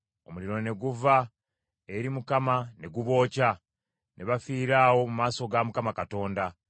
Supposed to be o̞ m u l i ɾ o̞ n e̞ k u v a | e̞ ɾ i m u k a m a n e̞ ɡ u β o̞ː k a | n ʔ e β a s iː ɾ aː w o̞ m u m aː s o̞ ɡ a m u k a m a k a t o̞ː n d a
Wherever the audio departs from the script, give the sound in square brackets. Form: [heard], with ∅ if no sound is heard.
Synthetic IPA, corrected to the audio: o̞ m u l i ɾ o̞ n e̞ [ɡ] u v a | e̞ ɾ i m u k a m a n e̞ ɡ u β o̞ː [c] a | n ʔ e β a [f] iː ɾ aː w o̞ m u m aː s o̞ ɡ a m u k a m a k a t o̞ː n d a